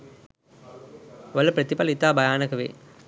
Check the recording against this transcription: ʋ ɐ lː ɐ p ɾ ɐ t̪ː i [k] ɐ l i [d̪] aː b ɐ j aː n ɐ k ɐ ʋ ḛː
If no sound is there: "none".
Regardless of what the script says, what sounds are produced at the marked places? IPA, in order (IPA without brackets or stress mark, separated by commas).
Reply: p, t̪